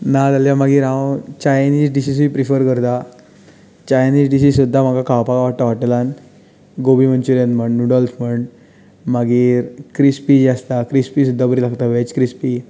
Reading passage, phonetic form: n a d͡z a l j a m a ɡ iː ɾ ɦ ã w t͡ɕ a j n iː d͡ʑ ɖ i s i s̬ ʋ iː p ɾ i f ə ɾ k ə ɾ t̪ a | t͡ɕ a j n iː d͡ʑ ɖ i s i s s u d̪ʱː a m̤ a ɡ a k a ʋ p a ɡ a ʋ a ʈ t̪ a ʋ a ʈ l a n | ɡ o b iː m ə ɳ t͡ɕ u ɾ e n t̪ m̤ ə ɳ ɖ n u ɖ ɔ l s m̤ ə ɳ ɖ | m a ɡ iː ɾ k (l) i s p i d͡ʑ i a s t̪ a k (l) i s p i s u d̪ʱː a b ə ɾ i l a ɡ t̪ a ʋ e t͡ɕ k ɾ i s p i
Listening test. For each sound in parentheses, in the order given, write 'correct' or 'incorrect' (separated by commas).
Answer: incorrect, incorrect